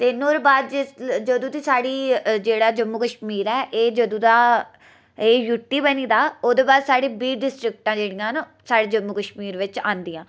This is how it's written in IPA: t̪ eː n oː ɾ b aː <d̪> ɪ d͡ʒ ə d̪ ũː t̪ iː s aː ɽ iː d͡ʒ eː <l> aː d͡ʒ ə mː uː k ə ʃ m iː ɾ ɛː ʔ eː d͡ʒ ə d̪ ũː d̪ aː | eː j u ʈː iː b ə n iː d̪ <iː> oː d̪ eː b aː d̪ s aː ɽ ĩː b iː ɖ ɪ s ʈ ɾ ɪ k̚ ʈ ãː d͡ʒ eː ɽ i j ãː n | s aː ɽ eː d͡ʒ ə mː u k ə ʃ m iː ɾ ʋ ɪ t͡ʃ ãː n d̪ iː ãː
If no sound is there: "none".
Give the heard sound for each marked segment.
d̪, ɽ, aː

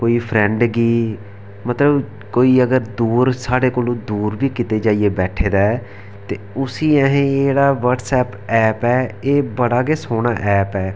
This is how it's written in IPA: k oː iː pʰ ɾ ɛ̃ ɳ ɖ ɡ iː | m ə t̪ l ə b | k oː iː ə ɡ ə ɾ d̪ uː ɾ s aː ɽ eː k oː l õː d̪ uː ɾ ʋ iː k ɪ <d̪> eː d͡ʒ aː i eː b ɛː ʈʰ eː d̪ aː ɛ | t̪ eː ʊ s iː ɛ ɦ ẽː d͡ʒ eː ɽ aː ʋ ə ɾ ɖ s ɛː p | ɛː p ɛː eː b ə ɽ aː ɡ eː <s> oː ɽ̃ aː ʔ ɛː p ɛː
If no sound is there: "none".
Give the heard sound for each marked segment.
t̪, s

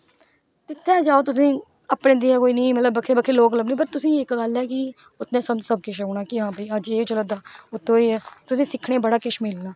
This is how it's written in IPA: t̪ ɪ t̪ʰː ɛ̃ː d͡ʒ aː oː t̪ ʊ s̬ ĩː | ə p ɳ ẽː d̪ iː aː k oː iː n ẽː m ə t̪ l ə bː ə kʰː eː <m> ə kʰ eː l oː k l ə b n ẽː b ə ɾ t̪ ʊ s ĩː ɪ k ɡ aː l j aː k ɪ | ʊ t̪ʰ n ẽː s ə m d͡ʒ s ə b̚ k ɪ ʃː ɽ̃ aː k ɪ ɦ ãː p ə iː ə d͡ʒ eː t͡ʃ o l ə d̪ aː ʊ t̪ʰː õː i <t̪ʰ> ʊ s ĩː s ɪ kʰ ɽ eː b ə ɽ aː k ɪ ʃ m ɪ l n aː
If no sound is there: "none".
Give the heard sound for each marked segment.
b, t̪

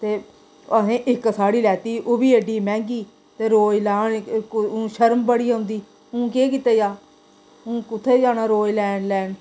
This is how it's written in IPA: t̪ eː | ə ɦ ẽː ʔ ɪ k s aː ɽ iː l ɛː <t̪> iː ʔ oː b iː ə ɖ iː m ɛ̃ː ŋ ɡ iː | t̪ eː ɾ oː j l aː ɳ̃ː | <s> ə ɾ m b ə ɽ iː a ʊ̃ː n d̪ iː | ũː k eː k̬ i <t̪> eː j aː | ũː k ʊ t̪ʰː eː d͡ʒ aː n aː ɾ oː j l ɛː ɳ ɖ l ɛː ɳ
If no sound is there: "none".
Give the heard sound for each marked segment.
t̪, ʃ, t̪

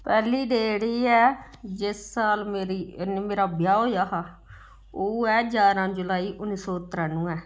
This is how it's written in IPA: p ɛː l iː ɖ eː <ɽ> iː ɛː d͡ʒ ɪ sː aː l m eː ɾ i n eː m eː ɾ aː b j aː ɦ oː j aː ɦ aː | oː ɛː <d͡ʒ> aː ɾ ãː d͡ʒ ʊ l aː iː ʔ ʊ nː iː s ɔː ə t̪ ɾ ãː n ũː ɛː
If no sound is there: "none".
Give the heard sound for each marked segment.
ɽ, d͡ʒ

